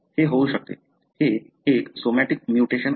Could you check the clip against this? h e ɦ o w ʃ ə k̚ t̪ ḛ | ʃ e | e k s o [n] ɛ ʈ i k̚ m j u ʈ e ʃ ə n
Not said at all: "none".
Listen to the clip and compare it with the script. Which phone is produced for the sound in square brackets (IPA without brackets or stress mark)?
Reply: m